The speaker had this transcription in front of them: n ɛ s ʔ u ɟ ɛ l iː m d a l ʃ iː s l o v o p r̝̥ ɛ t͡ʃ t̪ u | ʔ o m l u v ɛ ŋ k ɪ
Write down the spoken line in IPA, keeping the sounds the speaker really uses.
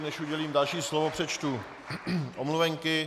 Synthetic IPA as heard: n ɛ ʃ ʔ u ɟ ɛ l iː m d a l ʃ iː s l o v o p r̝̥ ɛ t͡ʃ t̪ u | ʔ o m l u v ɛ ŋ k ɪ

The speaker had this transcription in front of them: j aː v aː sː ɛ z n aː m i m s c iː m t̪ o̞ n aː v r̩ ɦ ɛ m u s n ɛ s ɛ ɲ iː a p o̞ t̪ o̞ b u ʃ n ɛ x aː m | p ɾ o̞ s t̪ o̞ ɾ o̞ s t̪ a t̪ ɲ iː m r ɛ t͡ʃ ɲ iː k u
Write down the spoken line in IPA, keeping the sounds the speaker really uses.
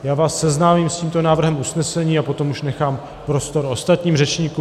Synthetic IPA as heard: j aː v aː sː ɛ z n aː m i m s c iː m t̪ o̞ n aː v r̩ ɦ ɛ m u s n ɛ s ɛ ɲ iː a p o̞ t̪ o̞ m u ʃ n ɛ x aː m | p ɾ o̞ s t̪ o̞ ɾ o̞ s t̪ a t̪ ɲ iː m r ɛ t͡ʃ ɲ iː k u

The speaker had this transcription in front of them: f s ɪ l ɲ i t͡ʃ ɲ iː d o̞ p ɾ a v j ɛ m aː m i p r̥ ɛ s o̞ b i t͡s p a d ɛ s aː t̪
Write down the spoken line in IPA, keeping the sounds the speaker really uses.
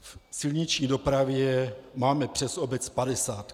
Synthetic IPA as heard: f s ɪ l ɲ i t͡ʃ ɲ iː d o̞ p ɾ a v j ɛ m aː m ɛ p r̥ ɛ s o̞ b ɛ t͡s p a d ɛ s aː t̪

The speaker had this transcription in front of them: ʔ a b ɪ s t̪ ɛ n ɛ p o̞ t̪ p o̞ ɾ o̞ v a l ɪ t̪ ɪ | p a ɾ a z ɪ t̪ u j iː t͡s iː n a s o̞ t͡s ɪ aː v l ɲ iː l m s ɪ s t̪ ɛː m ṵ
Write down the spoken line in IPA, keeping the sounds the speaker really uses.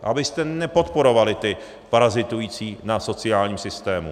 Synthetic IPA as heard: ʔ a b ɪ s t̪ ɛ n ɛ p o̞ t̪ p o̞ ɾ o̞ v a l ɪ t̪ ɪ | p a ɾ a z ɪ t̪ u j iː t͡s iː n a s o̞ t͡s ɪ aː l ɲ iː m s ɪ s t̪ ɛː m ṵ

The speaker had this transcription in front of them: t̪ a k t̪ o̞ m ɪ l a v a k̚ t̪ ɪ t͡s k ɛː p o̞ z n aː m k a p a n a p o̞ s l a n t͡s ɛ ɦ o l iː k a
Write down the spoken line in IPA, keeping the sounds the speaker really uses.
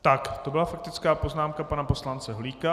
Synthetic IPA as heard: t̪ a k t̪ o̞ b ɪ l a f a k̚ t̪ ɪ t͡s k aː p o̞ z n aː m k a p a n a p o̞ s l a n t͡s ɛ ɦ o l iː k a

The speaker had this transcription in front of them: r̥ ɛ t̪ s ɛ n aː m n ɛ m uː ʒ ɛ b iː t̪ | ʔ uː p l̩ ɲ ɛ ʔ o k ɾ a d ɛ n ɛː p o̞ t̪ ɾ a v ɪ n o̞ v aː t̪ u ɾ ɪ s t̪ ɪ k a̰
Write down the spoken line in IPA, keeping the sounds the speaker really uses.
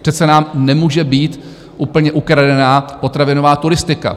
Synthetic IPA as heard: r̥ ɛ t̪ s ɛ n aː m n ɛ m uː ʒ ɛ b iː t̪ | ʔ uː p l̩ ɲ ɛ ʔ u k ɾ a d ɛ n aː p o̞ t̪ ɾ a v ɪ n o̞ v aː t̪ u ɾ ɪ s t̪ ɪ k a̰

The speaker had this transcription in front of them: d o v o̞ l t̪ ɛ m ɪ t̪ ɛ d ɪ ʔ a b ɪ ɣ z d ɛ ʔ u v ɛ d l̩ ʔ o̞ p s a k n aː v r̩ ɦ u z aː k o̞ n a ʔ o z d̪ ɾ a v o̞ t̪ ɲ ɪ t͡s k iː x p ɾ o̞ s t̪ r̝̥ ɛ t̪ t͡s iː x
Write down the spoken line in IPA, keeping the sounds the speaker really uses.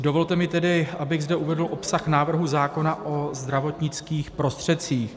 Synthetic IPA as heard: d o v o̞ l t̪ ɛ m ɪ t̪ ɛ d ɪ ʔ a b ɪ ɣ z d ɛ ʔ u v ɛ d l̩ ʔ o̞ p s a x n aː v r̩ ɦ u z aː k o̞ n a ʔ o z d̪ ɾ a v o̞ t̪ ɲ ɪ t͡s k iː x p ɾ o̞ s t̪ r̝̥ ɛ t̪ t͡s iː x

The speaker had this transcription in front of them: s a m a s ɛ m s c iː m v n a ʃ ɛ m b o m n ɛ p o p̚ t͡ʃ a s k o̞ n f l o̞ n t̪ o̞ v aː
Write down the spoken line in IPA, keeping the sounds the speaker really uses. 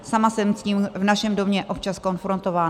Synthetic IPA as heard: s a m a s ɛ m s c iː m v n a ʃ ɛ m d o m ɲ ɛ ʔ o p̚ t͡ʃ a s k o̞ n f ɾ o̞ n t̪ o̞ v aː

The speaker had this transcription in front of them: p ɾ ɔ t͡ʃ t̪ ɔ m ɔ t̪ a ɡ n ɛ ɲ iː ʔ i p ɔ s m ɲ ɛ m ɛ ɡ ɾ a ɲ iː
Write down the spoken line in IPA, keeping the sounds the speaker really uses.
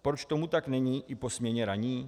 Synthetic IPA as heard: p ɾ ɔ t͡ʃ t̪ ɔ m u t̪ a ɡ n ɛ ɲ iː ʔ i p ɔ s m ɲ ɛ ɲ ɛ ɾ a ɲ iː

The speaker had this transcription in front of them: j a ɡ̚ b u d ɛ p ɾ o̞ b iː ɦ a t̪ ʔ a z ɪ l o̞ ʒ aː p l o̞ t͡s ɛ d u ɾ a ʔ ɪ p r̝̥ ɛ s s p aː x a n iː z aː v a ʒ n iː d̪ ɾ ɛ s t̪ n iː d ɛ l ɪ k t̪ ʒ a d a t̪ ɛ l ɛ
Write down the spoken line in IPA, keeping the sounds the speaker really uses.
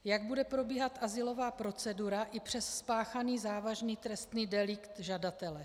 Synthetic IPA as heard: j a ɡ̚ b u d ɛ p ɾ o̞ b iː ɦ a t̪ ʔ a z ɪ l o̞ v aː p ɾ o̞ t͡s ɛ d u ɾ a ʔ ɪ p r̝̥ ɛ s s p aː x a n iː z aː v a ʒ n iː t̪ ɾ ɛ s t̪ n iː d ɛ l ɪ k t̪ ʒ a d a t̪ ɛ l ɛ

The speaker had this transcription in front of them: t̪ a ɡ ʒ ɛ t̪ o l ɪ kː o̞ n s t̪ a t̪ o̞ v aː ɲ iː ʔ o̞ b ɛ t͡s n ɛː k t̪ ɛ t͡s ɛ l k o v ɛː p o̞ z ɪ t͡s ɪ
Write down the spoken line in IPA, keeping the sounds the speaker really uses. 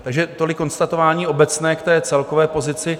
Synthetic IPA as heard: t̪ a ɡ ʒ ɛ t̪ o l ɪ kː o̞ n s t̪ a t̪ o̞ v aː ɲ iː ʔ o̞ b ɛ t͡s n ɛː k t̪ ɛː t͡s ɛ l k o v ɛː p o̞ z ɪ t͡s ɪ

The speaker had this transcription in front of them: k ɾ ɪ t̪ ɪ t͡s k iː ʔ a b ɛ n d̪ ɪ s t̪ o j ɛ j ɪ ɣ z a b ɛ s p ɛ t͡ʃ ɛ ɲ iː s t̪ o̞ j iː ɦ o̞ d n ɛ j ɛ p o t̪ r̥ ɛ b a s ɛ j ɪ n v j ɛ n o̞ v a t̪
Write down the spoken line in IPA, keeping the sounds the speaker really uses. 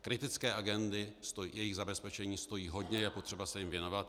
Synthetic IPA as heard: k ɾ ɪ t̪ ɪ t͡s k ɛː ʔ a ɡ ɛ n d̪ ɪ s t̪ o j ɛ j ɪ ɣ z a b ɛ s p ɛ t͡ʃ ɛ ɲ iː s t̪ o̞ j iː ɦ o̞ d ɲ ɛ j ɛ p o t̪ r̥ ɛ b a s ɛ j ɪ m v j ɛ n o̞ v a t̪

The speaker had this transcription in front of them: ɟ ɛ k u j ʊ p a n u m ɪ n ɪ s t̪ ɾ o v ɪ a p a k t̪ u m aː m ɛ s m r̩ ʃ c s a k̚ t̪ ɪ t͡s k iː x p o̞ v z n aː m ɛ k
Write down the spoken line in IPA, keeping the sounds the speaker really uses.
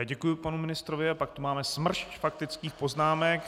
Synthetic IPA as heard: ɟ ɛ k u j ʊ p a n u m ɪ n ɪ s t̪ ɾ o v ɪ a p a k t̪ u m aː m ɛ s m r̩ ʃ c f a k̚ t̪ ɪ t͡s k iː x p o̞ z n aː m ɛ k

